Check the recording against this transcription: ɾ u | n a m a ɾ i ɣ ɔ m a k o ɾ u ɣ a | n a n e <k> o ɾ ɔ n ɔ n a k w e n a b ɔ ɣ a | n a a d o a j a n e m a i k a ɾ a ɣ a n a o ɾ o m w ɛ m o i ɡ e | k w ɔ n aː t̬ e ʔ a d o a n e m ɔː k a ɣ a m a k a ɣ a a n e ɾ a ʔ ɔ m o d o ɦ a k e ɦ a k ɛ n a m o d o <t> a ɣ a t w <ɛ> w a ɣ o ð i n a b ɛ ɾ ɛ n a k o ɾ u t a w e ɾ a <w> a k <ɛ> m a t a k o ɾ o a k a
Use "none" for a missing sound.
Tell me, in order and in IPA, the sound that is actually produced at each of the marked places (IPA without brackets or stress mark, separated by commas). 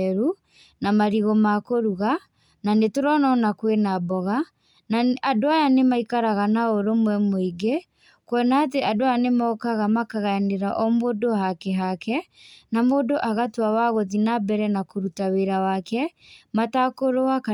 t, ʔ, a, w, ɛ